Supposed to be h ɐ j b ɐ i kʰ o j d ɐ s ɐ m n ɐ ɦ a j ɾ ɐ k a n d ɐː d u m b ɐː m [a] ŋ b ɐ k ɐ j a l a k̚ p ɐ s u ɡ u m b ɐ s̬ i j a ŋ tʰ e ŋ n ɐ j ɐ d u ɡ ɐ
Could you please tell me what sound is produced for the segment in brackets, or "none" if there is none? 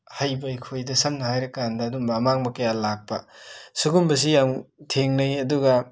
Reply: a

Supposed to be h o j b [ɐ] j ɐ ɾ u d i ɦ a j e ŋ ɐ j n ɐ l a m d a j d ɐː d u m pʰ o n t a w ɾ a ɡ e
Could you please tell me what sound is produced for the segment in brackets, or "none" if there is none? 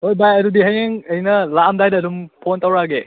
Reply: a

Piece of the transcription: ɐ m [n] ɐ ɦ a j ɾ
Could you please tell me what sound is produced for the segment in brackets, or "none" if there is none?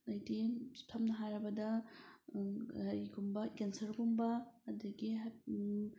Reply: n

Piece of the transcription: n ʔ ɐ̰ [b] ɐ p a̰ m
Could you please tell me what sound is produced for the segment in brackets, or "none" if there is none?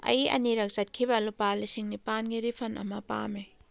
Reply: m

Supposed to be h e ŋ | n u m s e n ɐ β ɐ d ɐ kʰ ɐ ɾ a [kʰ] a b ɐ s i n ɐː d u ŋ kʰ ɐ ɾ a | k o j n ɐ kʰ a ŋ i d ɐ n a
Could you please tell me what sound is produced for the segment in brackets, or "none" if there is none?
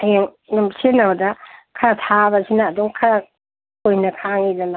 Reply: tʰ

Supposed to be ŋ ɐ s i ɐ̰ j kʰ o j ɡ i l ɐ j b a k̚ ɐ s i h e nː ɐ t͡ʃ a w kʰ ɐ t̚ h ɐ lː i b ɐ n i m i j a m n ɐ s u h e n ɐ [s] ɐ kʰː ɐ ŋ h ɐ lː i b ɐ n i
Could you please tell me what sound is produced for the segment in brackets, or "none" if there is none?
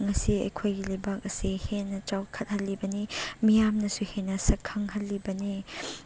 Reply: s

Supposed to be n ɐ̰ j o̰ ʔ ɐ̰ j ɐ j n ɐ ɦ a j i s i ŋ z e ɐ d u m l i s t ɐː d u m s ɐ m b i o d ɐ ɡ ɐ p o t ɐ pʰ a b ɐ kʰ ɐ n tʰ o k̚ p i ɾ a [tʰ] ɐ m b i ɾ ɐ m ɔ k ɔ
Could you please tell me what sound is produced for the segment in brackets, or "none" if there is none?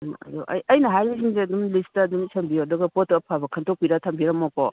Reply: tʰ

